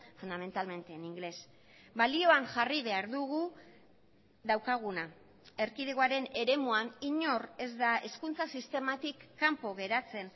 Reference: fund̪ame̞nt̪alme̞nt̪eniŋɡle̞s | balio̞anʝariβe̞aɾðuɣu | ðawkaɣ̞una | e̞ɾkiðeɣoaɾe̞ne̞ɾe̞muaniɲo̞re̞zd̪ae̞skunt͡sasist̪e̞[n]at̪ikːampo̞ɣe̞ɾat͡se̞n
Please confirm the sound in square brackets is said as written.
no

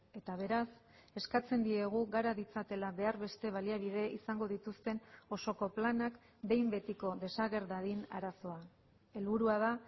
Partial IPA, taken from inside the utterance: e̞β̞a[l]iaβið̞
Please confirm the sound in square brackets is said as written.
yes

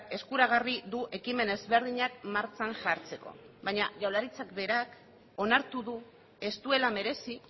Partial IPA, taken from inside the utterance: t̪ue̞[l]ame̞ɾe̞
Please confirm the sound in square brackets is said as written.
yes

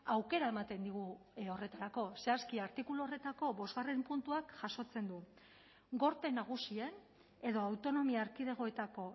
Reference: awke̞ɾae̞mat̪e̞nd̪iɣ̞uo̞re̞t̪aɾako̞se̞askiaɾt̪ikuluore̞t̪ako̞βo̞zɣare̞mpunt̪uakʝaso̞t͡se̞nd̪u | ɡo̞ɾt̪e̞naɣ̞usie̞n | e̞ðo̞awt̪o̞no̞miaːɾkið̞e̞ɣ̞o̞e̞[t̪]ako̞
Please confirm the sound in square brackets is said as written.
yes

